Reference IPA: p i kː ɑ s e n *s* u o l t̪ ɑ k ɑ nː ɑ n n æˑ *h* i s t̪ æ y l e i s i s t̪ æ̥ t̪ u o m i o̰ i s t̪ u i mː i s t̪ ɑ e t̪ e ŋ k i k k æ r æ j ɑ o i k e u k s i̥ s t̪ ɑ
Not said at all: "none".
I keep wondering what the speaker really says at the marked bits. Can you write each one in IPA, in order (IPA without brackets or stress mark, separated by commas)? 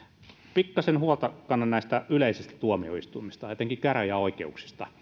h, none